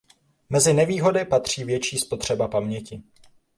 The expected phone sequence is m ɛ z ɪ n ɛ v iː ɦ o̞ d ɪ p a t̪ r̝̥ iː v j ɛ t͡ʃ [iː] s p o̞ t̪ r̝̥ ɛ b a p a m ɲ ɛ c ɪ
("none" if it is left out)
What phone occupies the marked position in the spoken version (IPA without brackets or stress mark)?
iː